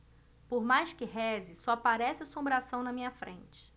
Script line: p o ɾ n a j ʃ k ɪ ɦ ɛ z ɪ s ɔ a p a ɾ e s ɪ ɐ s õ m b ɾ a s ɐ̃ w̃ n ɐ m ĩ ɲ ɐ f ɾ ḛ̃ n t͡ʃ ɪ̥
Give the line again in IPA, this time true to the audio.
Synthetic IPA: p o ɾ m a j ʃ k ɪ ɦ ɛ z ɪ s ɔ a p a ɾ ɛ s ɪ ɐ s õ m b ɾ a s ɐ̃ w̃ n ɐ m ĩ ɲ ɐ f ɾ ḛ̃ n t͡ʃ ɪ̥